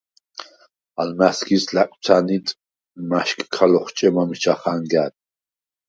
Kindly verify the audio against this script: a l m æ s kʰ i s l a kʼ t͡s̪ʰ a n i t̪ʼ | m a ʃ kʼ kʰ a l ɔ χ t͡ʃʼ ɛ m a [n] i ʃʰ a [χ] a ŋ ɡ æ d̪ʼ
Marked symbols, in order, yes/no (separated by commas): no, yes